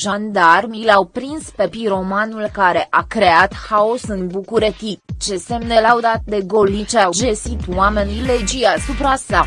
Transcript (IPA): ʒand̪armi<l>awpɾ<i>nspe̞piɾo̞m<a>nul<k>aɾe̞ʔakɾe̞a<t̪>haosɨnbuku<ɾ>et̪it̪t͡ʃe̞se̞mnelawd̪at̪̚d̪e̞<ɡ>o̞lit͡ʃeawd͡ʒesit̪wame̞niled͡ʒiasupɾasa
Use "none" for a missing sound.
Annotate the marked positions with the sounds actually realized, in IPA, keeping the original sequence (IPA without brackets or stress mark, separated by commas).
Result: l, i, a, k, t̪, ɾ, ɡ